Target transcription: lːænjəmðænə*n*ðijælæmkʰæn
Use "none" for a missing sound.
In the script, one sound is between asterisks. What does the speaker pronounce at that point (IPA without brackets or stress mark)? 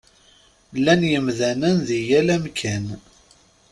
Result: n